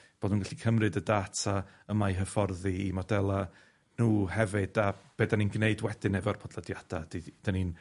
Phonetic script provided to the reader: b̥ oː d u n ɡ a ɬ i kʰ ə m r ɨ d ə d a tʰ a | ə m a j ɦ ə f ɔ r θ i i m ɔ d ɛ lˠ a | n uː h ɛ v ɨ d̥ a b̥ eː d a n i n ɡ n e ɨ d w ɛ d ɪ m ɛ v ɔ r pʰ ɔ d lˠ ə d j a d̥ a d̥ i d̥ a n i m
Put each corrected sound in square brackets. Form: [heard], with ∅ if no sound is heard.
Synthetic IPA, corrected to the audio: b̥ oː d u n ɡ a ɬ i kʰ ə m r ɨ d ə d a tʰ a | ə m a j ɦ ə f ɔ r [ð] i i m ɔ d ɛ lˠ a | n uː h ɛ v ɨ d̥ a b̥ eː d a n i n ɡ n e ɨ d w ɛ d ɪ [n] ɛ v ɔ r pʰ ɔ d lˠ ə d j a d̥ a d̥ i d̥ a n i [n]